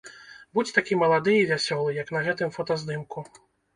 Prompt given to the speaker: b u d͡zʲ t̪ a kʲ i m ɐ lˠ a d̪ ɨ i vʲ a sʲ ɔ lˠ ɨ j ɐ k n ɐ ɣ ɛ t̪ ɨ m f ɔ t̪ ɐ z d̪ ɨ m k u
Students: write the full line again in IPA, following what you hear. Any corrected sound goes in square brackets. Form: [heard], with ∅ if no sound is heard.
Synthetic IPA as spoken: b u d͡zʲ t̪ a kʲ i m ɐ lˠ a d̪ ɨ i vʲ a sʲ ɔ lˠ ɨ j ɐ k n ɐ ɣ ɛ t̪ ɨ m f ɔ t̪ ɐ z d̪ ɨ m k u